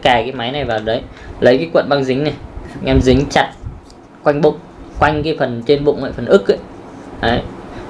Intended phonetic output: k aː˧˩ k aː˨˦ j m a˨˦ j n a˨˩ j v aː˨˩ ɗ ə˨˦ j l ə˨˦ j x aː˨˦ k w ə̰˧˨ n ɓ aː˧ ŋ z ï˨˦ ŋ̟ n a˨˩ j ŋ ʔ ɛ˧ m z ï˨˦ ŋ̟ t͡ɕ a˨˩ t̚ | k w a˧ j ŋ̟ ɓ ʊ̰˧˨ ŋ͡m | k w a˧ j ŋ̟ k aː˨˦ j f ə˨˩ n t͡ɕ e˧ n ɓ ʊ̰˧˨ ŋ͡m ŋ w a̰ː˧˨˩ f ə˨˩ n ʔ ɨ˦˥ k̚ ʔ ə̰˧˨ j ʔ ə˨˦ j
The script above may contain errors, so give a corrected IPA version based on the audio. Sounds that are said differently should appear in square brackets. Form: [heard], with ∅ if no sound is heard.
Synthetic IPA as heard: k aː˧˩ k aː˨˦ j m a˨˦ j n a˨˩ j v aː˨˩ ɗ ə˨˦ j l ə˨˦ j [k] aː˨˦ k w ə̰˧˨ n ɓ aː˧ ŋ z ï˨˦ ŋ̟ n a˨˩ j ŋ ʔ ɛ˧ m z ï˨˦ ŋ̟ t͡ɕ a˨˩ t̚ | k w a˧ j ŋ̟ ɓ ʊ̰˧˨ ŋ͡m | k w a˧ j ŋ̟ k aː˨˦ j f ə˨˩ n t͡ɕ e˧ n ɓ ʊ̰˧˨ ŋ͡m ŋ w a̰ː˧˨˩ f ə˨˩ n ʔ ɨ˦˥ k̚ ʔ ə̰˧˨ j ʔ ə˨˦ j

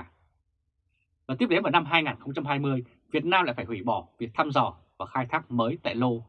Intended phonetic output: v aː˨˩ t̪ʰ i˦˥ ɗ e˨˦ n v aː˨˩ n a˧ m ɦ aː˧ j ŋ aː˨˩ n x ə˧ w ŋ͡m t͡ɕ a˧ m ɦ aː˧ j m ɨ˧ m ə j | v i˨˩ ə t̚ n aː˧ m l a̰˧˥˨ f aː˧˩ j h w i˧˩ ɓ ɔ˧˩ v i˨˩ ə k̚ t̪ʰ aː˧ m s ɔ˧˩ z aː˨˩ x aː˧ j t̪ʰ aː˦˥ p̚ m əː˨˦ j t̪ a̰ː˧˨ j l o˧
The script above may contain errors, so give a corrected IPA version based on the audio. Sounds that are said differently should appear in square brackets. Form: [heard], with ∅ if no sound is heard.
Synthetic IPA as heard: v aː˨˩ [t̪] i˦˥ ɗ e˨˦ n v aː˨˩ n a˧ m ɦ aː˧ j ŋ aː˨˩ n x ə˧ w ŋ͡m t͡ɕ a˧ m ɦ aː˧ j m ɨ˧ [∅] ə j | v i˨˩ ə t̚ n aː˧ m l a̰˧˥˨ f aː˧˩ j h w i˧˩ ɓ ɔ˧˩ v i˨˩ ə k̚ t̪ʰ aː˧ m [z] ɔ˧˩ [v] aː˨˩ x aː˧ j t̪ʰ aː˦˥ [k̚] m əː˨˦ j t̪ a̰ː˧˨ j l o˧

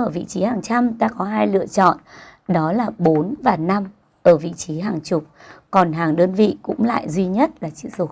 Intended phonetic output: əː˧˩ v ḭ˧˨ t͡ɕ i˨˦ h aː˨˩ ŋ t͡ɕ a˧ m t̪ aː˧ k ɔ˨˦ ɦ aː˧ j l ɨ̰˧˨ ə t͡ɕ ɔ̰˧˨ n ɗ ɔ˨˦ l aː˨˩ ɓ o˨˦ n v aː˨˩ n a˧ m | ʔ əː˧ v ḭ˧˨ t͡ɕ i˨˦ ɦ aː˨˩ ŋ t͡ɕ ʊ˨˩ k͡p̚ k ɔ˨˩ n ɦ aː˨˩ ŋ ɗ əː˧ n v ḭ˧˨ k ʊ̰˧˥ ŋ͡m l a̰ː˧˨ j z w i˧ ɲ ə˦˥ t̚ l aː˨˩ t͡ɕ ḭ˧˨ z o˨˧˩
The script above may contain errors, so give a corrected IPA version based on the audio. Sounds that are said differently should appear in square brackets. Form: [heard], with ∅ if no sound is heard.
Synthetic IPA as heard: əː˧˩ v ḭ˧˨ t͡ɕ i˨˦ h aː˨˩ ŋ t͡ɕ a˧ m t̪ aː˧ k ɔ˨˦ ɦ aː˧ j l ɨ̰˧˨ ə t͡ɕ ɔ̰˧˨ n ɗ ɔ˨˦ l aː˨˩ ɓ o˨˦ n v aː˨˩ n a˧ m | ʔ [əː˧˩] v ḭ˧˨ t͡ɕ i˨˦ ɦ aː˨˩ ŋ t͡ɕ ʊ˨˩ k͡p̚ k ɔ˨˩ n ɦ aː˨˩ ŋ ɗ əː˧ n v ḭ˧˨ k ʊ̰˧˥ ŋ͡m l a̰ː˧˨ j z w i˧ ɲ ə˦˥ t̚ l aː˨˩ t͡ɕ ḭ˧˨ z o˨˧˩

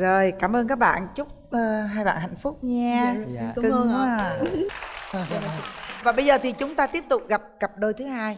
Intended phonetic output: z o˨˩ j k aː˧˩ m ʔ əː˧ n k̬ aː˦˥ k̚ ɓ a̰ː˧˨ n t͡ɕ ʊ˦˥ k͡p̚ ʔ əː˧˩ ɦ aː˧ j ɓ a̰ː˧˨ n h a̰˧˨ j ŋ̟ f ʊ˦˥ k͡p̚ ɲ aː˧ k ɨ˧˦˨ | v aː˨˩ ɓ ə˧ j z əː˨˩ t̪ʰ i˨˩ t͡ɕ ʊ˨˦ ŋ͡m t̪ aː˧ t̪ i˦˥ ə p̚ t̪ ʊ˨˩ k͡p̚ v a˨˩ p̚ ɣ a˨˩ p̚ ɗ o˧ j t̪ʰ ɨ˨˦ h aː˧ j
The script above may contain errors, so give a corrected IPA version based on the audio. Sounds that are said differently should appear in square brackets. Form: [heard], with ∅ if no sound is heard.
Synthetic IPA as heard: z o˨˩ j k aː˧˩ m ʔ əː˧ n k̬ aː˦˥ k̚ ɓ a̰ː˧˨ n t͡ɕ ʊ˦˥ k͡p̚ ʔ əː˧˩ ɦ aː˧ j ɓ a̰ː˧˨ n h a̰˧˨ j ŋ̟ f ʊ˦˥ k͡p̚ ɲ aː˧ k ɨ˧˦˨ | v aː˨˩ ɓ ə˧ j z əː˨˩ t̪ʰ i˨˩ t͡ɕ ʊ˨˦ ŋ͡m t̪ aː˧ t̪ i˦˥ ə p̚ t̪ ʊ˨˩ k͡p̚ [ɣ] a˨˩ p̚ ɣ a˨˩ p̚ ɗ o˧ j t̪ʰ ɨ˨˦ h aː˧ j

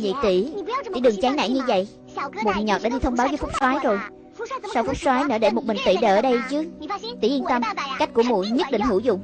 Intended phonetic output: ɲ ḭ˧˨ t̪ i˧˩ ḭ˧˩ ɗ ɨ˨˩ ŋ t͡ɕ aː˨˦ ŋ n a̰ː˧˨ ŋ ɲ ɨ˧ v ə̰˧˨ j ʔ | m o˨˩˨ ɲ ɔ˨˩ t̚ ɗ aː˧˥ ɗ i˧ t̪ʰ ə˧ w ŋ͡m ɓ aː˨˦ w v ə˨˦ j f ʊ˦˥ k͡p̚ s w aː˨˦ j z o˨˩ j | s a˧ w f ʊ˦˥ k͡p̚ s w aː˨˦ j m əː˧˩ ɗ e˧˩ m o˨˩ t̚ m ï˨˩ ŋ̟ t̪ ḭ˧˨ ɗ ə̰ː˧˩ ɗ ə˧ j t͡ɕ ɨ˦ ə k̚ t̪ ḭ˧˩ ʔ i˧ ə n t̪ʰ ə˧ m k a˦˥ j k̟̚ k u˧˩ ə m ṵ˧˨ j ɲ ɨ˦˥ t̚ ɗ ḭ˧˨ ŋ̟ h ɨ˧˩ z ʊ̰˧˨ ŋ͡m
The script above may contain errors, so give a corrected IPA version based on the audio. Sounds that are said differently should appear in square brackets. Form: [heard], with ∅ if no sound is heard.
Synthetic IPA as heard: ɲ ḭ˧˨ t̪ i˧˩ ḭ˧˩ ɗ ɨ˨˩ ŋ t͡ɕ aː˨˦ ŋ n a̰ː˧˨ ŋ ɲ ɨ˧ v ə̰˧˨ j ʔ | m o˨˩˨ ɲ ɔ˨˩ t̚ ɗ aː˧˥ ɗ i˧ t̪ʰ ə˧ w ŋ͡m ɓ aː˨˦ w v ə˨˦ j f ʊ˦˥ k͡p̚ s w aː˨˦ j z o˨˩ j | s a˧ w f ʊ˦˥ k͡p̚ s w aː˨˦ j [n] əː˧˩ ɗ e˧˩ m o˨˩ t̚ m ï˨˩ ŋ̟ t̪ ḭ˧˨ ɗ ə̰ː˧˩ ɗ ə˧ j t͡ɕ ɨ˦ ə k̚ t̪ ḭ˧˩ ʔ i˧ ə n [t̪] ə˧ m k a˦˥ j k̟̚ k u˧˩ ə m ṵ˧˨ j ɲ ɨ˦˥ t̚ ɗ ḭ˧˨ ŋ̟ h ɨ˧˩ z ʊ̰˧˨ ŋ͡m

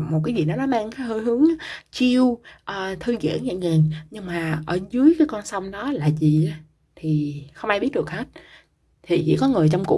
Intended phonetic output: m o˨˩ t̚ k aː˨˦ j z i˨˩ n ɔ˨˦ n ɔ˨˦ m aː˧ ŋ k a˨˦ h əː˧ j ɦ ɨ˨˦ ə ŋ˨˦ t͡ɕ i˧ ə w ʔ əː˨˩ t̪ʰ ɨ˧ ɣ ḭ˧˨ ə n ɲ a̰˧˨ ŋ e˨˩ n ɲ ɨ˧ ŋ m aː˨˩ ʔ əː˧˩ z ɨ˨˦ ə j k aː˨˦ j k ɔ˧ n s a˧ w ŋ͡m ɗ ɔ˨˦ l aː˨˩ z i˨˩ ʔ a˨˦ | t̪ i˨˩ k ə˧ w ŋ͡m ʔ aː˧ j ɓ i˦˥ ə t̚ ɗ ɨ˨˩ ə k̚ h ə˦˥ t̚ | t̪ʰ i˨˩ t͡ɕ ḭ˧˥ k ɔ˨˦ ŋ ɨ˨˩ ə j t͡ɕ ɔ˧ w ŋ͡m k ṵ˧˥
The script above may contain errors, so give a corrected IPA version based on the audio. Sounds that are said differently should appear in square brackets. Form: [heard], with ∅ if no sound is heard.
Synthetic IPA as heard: m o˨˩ t̚ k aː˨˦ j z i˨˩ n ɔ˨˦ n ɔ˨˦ m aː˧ ŋ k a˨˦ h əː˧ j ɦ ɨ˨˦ ə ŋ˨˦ t͡ɕ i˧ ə w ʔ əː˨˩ t̪ʰ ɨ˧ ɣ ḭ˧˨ ə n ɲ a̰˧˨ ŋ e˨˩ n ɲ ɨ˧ ŋ m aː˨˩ ʔ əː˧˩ z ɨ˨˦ ə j k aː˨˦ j k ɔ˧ n s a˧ w ŋ͡m ɗ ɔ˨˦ l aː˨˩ z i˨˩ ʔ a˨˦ | [t̪ʰ] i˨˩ [x] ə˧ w ŋ͡m ʔ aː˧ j ɓ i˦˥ ə t̚ ɗ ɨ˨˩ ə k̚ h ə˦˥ t̚ | t̪ʰ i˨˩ t͡ɕ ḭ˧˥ k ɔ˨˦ ŋ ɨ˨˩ ə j t͡ɕ ɔ˧ w ŋ͡m k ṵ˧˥

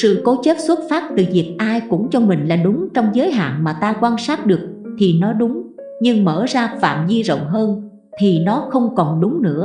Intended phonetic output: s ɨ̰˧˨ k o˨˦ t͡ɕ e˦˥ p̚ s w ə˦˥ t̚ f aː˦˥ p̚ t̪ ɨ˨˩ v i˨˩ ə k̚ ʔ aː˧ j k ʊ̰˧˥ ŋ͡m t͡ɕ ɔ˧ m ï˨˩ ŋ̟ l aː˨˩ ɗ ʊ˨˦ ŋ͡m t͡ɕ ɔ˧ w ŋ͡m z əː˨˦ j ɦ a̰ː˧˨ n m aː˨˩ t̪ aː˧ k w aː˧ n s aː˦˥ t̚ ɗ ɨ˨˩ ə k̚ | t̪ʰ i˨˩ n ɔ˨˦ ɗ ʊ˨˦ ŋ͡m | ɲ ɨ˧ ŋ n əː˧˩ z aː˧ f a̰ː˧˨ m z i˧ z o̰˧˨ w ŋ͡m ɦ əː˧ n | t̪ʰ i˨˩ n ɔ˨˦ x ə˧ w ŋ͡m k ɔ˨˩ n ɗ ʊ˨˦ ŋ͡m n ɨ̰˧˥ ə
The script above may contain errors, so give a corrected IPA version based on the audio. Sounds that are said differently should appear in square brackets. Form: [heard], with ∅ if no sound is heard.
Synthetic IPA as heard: s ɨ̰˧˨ k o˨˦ t͡ɕ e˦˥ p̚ s w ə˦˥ t̚ f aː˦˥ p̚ t̪ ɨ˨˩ v i˨˩ ə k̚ ʔ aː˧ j k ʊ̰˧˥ ŋ͡m t͡ɕ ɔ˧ m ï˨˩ ŋ̟ l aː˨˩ ɗ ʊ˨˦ ŋ͡m t͡ɕ ɔ˧ w ŋ͡m z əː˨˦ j ɦ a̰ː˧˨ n m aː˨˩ t̪ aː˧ k w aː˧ n s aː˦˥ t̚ ɗ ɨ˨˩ ə k̚ | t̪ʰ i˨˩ n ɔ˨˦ ɗ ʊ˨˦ ŋ͡m | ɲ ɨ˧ ŋ [m] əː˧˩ z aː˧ f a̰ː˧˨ m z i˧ z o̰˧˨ w ŋ͡m ɦ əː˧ n | t̪ʰ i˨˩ n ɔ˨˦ x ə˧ w ŋ͡m k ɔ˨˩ n ɗ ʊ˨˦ ŋ͡m n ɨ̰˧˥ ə

